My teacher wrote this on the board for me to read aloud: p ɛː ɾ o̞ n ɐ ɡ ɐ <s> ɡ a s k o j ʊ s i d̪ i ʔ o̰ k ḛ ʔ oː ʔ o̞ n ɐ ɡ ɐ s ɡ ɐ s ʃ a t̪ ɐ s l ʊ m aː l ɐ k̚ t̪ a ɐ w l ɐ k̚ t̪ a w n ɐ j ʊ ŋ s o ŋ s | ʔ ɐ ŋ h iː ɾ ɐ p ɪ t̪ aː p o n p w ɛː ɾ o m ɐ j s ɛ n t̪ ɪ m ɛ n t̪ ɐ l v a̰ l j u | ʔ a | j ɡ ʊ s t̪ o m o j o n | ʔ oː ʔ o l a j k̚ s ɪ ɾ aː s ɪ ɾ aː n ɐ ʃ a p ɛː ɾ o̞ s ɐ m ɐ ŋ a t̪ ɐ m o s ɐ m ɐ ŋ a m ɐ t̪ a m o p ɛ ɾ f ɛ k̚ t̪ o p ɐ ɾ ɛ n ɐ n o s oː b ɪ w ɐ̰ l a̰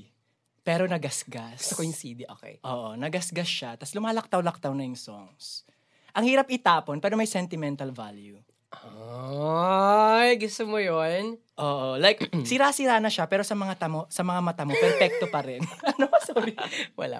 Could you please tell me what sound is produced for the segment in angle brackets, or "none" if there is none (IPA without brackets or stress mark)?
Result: s